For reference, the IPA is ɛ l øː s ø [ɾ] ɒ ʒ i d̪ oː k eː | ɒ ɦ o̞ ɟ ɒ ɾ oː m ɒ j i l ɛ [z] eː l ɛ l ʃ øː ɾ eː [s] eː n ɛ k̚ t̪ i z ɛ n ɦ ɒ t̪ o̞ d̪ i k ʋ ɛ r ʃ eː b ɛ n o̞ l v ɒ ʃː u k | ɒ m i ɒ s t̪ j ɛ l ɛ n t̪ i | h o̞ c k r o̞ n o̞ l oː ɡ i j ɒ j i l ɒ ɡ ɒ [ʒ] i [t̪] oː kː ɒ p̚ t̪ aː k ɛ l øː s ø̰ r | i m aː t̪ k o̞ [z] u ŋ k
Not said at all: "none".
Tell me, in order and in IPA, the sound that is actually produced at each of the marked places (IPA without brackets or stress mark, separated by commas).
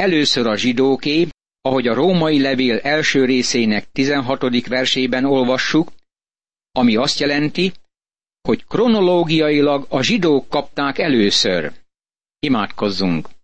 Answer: ɾ, v, s, ʒ, d̪, zː